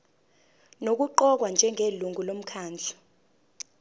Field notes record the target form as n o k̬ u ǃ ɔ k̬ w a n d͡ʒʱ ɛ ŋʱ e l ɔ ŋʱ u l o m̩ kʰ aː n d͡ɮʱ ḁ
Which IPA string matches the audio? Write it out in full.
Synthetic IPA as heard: n o k̬ u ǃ ɔ k̬ w a n d͡ʒʱ ɛ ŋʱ e l u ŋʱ u l o m̩ kʰ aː n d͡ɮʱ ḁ